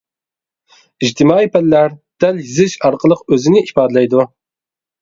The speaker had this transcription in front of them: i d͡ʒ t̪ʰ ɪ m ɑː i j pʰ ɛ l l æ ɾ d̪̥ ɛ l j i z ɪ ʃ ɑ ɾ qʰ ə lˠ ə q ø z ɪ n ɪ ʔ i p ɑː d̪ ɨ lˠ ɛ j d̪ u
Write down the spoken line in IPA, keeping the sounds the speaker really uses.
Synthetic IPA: i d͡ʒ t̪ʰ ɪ m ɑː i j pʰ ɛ l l æ ɾ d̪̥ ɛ l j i z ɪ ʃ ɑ ɾ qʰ ə lˠ ə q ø z ɪ n ɪ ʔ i p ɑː d̪ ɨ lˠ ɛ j d̪ u